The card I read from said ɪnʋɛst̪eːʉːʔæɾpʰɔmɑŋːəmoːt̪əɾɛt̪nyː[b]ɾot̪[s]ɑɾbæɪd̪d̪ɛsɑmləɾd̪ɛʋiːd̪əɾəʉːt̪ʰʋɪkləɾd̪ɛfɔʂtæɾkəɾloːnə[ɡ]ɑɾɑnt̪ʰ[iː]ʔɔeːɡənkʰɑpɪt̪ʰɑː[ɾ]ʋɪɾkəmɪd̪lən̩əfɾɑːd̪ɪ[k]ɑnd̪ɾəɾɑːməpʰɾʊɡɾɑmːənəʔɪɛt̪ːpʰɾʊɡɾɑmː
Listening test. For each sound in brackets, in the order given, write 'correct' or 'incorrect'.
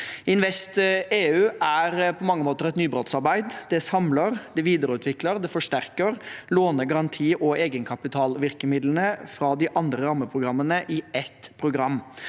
correct, correct, correct, correct, incorrect: l, incorrect: ʔ

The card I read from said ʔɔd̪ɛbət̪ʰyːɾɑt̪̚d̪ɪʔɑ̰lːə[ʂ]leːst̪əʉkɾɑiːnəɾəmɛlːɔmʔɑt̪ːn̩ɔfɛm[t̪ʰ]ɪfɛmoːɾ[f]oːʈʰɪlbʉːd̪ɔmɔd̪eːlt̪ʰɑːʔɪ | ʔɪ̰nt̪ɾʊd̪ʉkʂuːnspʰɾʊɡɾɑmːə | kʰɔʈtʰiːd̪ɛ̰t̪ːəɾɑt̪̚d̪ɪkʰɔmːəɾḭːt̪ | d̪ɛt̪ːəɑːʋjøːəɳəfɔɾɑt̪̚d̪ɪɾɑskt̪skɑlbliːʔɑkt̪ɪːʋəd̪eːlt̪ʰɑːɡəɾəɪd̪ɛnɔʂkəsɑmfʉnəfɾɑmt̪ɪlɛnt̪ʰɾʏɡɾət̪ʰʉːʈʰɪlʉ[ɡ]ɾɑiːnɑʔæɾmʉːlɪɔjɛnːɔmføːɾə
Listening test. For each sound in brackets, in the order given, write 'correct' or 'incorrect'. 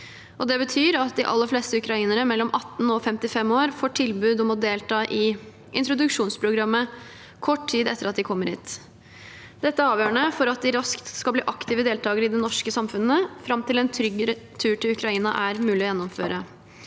incorrect: f, incorrect: t̪, correct, incorrect: k

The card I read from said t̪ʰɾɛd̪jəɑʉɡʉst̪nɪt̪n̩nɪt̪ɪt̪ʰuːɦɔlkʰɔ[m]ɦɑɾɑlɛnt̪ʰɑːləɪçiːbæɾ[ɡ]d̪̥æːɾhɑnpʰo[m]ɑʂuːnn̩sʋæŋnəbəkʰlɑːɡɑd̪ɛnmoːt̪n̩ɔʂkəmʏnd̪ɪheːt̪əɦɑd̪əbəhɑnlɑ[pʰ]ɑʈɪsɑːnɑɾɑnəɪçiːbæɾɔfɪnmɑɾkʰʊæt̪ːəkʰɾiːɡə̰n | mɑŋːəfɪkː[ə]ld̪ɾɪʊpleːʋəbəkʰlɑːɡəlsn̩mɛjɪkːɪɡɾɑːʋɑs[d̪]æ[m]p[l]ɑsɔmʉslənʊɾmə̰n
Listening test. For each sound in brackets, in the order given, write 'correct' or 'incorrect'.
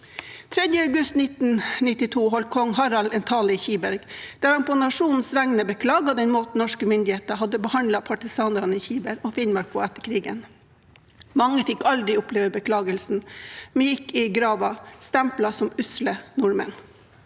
incorrect: ŋ, correct, incorrect: n, correct, incorrect: ɑ, incorrect: t̪, correct, correct

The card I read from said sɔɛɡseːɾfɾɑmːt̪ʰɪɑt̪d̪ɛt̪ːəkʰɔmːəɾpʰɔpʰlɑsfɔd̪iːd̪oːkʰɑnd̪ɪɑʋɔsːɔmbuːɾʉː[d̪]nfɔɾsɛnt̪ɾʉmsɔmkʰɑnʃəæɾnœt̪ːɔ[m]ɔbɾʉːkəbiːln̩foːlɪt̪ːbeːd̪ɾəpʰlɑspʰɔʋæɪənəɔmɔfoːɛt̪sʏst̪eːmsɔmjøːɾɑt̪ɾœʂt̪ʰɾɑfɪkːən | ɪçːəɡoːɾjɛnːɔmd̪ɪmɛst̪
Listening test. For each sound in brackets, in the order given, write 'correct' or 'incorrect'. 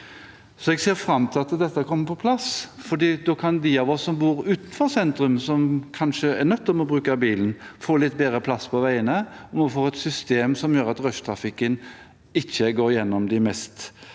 incorrect: t̪, correct

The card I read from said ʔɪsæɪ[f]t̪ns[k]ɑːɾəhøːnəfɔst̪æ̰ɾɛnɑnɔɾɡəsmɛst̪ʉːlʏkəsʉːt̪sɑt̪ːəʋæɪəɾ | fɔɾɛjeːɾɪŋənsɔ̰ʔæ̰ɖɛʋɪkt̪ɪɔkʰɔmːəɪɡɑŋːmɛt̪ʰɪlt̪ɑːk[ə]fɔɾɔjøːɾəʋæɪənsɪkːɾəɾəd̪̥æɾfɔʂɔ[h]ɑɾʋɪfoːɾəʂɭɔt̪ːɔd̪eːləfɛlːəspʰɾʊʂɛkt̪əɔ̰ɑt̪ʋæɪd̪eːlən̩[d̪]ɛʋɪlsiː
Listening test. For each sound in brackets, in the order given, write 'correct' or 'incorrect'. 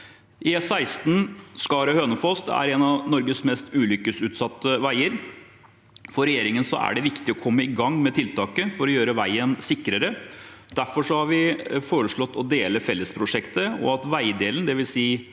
incorrect: s, correct, correct, correct, correct

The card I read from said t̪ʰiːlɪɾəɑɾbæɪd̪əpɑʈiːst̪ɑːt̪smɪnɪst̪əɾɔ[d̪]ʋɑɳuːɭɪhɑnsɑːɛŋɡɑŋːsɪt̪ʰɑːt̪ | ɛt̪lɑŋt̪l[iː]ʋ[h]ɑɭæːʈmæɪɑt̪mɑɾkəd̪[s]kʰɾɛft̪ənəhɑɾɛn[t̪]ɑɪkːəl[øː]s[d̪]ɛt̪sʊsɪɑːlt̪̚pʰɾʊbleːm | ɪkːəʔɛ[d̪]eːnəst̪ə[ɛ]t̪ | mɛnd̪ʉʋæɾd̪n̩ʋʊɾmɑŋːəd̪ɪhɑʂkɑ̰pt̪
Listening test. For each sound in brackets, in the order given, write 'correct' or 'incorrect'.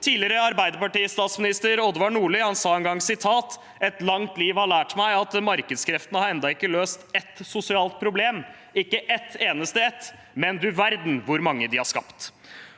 correct, correct, correct, correct, incorrect: d̪, correct, incorrect: t̪, incorrect: t̪, correct

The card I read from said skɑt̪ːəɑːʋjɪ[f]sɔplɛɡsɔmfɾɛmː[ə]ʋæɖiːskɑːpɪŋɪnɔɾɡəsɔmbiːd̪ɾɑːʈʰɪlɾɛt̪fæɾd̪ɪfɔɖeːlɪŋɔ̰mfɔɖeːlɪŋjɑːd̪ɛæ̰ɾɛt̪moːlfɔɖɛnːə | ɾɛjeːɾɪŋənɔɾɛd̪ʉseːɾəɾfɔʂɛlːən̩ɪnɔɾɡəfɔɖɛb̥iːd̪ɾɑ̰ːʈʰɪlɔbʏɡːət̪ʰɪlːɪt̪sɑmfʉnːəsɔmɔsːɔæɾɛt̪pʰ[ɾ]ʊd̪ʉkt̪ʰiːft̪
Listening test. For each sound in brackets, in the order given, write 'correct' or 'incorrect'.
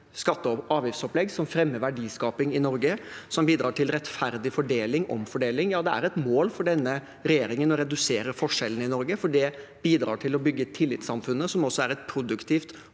correct, correct, correct

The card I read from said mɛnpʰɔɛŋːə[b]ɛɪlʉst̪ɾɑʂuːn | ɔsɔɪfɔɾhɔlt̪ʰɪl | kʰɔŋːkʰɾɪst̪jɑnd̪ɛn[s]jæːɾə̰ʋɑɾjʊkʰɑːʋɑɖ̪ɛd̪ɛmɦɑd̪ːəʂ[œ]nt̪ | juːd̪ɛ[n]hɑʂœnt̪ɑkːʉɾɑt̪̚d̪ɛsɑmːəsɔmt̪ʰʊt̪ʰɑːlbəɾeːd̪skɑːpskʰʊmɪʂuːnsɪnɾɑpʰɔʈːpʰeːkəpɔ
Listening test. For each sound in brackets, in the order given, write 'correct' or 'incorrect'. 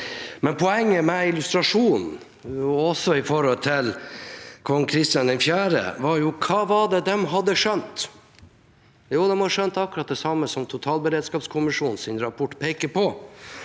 incorrect: m, incorrect: f, correct, incorrect: m

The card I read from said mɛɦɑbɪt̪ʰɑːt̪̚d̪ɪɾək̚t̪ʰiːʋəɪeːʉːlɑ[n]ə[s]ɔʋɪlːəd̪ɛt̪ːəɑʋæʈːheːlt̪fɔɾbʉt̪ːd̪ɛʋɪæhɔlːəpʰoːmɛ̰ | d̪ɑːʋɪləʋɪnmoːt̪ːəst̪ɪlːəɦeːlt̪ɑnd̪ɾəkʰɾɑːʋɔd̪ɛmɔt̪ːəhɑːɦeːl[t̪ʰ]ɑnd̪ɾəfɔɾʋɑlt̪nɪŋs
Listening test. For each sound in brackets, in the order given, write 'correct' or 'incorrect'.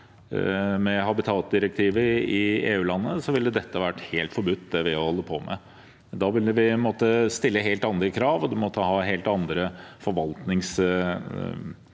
incorrect: nː, correct, incorrect: t̪

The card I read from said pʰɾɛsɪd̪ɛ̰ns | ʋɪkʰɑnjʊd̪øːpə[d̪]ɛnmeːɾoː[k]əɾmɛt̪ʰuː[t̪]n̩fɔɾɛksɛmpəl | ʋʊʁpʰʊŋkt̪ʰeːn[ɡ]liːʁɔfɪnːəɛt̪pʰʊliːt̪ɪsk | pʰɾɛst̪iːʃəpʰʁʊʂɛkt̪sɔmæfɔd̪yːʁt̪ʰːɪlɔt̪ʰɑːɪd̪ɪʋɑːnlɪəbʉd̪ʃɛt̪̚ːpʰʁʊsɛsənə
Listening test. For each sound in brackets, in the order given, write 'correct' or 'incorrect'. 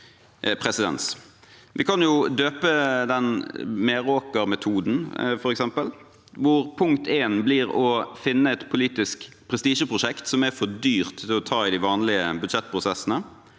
correct, correct, incorrect: d̪, incorrect: b

